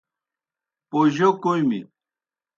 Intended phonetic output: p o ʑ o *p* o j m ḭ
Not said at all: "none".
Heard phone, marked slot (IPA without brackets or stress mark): k